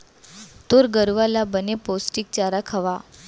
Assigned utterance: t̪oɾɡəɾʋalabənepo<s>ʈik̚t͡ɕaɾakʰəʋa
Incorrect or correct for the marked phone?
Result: correct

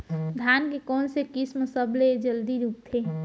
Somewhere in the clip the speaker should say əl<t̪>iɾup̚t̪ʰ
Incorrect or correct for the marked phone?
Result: incorrect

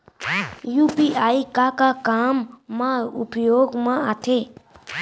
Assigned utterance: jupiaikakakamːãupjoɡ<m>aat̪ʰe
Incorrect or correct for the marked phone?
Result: correct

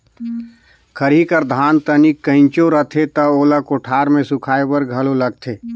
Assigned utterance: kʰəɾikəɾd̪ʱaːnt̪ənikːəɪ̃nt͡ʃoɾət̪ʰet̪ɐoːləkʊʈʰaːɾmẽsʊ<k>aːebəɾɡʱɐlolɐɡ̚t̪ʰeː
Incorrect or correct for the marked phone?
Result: incorrect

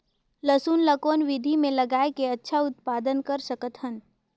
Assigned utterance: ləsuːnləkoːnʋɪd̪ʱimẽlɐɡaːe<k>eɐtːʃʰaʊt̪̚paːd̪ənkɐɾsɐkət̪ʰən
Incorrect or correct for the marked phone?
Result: correct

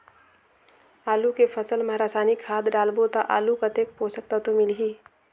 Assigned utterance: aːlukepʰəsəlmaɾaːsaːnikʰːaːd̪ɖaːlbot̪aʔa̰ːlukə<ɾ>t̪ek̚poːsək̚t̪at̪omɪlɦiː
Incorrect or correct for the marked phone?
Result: incorrect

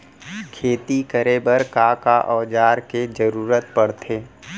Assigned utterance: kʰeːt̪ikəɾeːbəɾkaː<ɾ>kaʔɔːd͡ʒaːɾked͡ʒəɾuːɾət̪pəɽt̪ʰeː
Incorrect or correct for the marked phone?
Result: incorrect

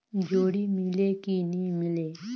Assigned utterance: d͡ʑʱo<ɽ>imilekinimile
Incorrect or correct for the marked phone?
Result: correct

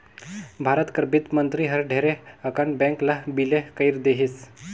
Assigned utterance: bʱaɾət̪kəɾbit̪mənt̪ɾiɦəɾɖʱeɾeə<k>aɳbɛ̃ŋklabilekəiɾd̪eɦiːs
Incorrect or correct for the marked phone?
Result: correct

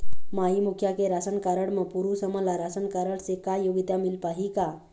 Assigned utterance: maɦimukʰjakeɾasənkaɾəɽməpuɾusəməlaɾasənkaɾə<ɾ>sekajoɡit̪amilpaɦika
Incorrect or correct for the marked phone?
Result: incorrect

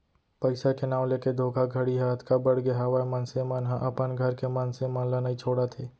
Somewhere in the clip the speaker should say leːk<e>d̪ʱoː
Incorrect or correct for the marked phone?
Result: correct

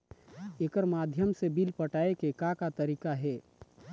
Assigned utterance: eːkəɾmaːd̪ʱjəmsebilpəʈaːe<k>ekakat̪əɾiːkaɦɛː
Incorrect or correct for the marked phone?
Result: correct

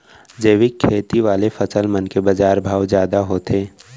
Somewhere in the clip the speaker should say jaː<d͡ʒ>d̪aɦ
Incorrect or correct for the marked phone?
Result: incorrect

